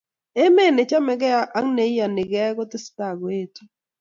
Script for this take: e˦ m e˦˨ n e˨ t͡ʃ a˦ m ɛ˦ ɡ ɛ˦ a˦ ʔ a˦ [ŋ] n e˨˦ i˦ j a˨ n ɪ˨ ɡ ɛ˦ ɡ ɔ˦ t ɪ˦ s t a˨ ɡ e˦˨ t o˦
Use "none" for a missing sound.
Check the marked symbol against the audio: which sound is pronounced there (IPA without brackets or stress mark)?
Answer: ŋ